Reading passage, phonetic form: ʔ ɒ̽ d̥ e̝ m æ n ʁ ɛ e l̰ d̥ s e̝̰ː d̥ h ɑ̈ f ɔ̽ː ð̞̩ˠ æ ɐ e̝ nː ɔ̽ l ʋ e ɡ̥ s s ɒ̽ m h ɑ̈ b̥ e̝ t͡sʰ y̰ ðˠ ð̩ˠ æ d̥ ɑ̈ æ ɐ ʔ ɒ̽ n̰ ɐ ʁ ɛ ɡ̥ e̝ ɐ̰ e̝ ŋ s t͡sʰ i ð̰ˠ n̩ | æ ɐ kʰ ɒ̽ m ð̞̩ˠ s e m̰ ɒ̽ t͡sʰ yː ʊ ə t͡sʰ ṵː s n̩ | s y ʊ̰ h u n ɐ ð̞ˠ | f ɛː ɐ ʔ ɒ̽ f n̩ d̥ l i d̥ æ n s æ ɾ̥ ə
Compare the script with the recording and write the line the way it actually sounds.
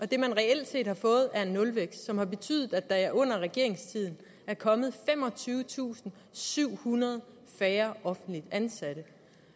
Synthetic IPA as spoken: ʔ ɒ̽ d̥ e̝ m æ n ʁ ɛ e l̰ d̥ s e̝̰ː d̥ h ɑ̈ f ɔ̽ː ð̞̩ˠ æ ɐ e̝ nː ɔ̽ l ʋ e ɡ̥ s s ɒ̽ m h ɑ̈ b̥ e̝ t͡sʰ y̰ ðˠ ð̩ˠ æ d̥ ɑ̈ æ ɐ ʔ ɔ̽ n̰ ɐ ʁ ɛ ɡ̥ e̝ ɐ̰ e̝ ŋ s t͡sʰ i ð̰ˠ n̩ | æ ɐ kʰ ɒ̽ m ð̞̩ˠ f e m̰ ɒ̽ t͡sʰ yː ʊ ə t͡sʰ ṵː s n̩ | s y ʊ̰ h u n ɐ ð̞ˠ | f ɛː ɐ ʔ ɒ̽ f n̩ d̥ l i d̥ æ n s æ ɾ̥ ə